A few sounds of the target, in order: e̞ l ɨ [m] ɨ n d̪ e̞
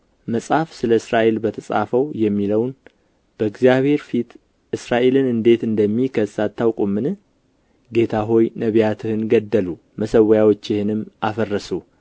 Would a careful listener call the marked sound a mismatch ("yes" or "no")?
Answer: yes